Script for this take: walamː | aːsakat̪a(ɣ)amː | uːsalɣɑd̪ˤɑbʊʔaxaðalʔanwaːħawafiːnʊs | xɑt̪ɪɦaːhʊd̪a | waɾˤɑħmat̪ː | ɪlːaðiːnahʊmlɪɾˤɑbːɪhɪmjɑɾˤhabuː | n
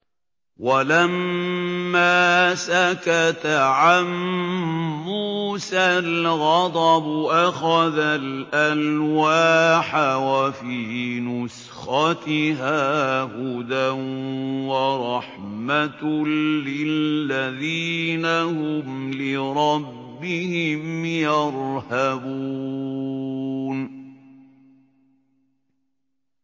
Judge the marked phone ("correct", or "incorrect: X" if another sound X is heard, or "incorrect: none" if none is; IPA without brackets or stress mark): incorrect: ʕ